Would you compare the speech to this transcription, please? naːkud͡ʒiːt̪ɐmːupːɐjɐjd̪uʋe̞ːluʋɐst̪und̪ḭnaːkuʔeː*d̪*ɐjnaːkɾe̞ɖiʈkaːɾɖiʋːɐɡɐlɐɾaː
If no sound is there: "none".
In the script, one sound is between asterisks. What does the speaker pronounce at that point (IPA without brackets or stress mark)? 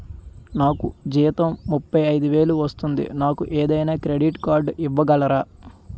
d̪